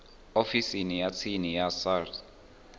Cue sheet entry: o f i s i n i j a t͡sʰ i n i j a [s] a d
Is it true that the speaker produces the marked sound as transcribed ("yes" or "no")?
yes